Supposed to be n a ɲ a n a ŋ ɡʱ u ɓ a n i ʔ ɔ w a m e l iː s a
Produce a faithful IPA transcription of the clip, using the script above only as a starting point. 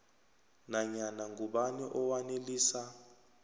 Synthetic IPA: n a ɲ a n a ŋ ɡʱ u ɓ a n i ʔ ɔ w a n e l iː s a